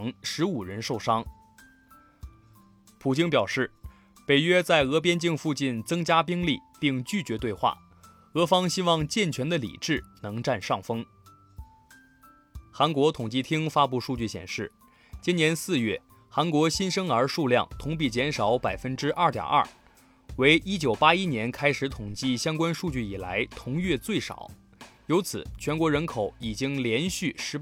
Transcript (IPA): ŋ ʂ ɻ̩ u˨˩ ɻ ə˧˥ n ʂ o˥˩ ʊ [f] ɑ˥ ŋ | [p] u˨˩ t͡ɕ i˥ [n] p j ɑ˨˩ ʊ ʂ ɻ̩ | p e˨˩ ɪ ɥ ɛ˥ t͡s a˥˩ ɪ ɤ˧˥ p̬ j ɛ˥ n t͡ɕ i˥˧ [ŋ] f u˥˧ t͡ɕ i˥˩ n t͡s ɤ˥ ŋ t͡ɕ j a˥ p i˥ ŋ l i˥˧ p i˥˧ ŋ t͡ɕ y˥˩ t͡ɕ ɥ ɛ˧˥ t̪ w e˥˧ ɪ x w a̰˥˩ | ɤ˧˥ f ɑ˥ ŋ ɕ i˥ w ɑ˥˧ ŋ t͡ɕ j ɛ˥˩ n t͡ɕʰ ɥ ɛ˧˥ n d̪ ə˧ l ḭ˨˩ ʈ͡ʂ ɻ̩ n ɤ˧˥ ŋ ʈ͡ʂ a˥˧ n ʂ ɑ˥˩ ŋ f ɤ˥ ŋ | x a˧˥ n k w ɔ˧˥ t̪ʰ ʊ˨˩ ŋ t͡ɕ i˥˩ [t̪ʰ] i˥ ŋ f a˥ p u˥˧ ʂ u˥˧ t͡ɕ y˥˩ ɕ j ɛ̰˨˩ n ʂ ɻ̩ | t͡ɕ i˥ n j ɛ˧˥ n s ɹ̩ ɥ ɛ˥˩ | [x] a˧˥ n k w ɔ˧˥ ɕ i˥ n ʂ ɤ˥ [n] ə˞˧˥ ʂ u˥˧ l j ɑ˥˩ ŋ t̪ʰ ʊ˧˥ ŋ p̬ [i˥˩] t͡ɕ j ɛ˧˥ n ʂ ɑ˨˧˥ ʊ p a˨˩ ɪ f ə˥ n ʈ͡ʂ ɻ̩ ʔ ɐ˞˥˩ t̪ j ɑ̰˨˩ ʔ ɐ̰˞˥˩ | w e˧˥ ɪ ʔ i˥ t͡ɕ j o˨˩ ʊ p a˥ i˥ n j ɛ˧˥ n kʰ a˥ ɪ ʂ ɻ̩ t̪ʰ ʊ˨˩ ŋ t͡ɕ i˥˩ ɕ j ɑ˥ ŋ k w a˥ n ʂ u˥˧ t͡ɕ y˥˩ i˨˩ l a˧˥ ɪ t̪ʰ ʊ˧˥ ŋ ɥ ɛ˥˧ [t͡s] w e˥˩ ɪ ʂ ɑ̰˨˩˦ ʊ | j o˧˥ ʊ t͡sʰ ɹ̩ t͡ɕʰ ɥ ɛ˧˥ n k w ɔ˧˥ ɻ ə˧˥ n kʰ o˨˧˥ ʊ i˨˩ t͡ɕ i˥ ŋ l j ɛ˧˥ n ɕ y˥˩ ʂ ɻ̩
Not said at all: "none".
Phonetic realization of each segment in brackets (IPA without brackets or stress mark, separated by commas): ʂ, pʰ, ŋ, ŋ, t̪ʰ, x, ŋ, i˥˩, t͡s